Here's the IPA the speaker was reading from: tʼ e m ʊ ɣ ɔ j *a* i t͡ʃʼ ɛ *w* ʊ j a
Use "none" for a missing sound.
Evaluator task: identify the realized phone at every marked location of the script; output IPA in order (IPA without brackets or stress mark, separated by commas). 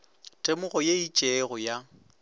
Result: e, ɣ